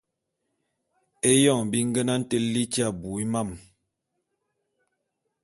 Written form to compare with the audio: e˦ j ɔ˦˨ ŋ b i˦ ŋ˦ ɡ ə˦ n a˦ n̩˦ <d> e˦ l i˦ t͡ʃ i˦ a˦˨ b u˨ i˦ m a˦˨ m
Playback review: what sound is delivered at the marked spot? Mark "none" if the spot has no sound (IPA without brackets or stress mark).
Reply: t